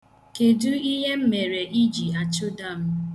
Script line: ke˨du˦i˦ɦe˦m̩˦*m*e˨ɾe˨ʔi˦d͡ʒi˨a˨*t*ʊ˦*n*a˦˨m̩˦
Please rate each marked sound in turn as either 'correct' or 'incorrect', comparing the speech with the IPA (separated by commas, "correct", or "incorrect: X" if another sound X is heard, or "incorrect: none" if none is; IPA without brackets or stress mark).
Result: correct, incorrect: t͡ʃ, incorrect: d